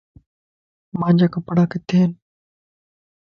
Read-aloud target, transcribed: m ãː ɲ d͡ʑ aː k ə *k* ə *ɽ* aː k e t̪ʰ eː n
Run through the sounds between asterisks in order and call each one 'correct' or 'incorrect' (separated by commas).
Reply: incorrect, correct